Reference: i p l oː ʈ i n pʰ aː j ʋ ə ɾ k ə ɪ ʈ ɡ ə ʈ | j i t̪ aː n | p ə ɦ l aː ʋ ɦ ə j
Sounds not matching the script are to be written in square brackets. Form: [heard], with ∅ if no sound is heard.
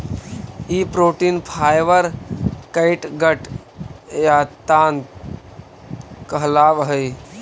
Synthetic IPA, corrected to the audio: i p [ɾ] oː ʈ i n pʰ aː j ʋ ə ɾ k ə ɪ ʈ ɡ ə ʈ | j [a] t̪ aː n | [k] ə ɦ l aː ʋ ɦ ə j